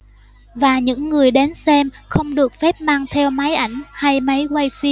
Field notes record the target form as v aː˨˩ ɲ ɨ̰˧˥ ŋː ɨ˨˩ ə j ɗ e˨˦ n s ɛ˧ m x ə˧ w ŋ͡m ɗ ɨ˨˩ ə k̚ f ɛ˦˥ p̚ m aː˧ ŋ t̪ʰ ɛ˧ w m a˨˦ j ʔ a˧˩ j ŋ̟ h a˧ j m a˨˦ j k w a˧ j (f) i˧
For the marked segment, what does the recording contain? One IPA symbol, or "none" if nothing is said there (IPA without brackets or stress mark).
f